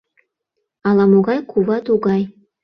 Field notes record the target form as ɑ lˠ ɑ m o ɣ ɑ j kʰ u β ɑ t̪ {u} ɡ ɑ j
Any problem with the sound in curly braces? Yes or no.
no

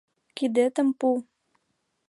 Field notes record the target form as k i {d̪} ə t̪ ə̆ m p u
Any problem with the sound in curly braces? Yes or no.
no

